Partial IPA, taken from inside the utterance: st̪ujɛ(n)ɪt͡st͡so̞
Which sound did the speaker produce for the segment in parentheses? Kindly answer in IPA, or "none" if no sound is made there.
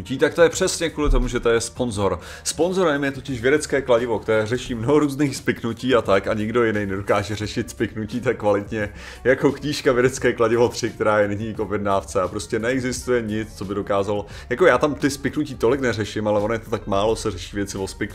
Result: ɲ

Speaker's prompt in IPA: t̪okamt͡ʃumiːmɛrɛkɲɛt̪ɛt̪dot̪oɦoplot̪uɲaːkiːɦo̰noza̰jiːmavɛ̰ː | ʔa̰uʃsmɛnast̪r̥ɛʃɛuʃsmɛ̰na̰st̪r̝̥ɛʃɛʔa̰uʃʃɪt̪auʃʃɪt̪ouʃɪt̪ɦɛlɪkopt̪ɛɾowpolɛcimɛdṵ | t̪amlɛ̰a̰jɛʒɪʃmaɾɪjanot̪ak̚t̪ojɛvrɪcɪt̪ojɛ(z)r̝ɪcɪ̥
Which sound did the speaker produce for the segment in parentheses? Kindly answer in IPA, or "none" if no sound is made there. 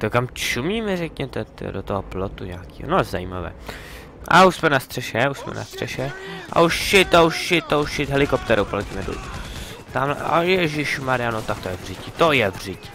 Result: v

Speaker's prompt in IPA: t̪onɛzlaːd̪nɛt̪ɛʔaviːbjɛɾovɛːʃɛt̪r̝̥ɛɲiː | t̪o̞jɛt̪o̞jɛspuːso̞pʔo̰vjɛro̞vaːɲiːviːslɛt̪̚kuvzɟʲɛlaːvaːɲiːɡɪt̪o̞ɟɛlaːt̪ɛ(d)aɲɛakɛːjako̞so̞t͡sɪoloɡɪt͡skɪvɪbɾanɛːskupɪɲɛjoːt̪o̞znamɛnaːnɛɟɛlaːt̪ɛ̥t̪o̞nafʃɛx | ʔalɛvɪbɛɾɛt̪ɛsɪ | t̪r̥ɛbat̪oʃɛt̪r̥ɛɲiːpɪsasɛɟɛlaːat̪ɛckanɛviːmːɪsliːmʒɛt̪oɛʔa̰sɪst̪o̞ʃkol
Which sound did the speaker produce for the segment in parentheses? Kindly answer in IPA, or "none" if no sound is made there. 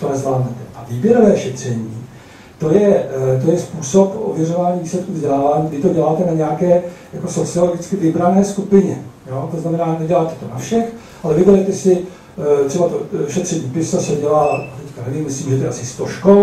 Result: n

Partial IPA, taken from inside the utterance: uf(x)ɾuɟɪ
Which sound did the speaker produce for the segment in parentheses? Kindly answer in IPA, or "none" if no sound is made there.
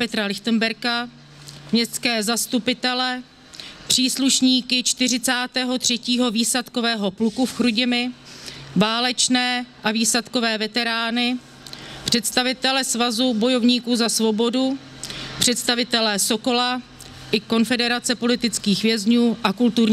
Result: x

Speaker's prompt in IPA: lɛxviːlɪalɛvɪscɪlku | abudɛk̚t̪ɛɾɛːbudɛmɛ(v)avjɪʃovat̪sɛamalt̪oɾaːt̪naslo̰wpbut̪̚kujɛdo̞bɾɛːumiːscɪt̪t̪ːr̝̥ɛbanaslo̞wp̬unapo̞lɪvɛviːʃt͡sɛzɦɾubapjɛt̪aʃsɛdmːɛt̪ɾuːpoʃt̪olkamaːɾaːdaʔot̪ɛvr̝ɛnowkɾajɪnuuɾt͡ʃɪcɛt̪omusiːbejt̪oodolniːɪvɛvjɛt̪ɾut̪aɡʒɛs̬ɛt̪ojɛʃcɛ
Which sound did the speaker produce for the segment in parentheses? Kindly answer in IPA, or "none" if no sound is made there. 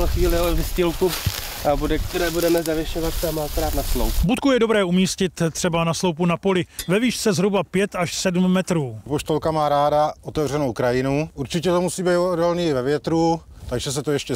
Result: z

